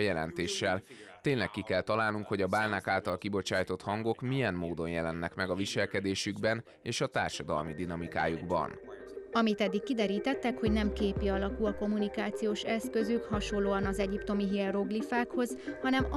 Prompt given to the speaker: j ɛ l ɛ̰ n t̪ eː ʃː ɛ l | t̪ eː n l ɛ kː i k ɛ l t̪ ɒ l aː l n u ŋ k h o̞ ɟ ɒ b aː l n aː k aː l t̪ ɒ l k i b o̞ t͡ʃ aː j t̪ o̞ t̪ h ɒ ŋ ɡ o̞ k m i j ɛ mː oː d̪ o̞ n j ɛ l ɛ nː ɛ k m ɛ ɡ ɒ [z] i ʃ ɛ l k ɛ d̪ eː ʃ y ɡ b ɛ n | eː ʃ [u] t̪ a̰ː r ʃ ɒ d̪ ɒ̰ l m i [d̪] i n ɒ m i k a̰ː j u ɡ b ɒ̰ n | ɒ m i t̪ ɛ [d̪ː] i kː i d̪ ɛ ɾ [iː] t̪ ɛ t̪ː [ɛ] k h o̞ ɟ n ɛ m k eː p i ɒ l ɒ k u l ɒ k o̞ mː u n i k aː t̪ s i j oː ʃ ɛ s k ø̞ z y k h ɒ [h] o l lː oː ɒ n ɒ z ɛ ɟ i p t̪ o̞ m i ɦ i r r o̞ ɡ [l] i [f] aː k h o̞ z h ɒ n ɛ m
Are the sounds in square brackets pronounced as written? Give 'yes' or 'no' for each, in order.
no, no, yes, yes, yes, yes, no, yes, yes

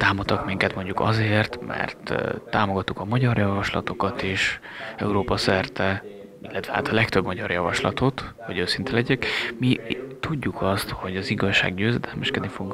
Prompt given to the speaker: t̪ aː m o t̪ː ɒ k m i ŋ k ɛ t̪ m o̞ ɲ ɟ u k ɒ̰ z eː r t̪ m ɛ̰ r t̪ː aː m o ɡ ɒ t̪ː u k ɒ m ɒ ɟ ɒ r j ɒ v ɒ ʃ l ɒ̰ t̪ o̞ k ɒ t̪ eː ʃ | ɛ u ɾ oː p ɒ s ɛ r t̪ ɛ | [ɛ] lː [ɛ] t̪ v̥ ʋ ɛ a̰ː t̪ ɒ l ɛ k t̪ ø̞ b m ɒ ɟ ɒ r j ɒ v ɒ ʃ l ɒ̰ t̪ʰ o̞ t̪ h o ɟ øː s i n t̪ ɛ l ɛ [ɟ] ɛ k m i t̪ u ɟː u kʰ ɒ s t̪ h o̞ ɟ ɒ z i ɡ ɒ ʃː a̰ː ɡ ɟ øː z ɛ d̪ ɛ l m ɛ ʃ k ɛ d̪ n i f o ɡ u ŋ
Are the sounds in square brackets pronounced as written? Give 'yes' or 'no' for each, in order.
no, yes, yes

